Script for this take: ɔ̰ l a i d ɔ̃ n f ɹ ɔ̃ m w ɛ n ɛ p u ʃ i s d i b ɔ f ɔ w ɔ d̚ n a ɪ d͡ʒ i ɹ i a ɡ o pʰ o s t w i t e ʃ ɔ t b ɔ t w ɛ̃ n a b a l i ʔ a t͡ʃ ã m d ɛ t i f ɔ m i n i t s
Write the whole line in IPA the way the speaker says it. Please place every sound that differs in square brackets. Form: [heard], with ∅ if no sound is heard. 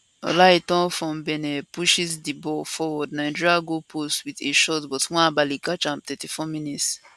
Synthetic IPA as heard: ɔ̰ l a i [t] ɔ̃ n f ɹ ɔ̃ m [b] ɛ n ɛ p u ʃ i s d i b ɔ f ɔ w ɔ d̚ n a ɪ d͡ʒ i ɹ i a ɡ o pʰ o s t w i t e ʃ ɔ t b ɔ t w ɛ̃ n a b a l i [k] a t͡ʃ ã m [t] ɛ t i f ɔ m i n i t s